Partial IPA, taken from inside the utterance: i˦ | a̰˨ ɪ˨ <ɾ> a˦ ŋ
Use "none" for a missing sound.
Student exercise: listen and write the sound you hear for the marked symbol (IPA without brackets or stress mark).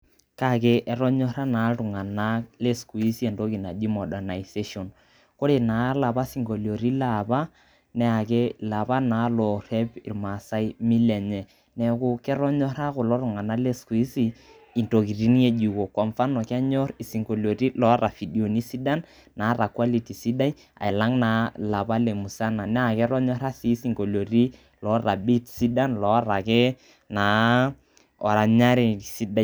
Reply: l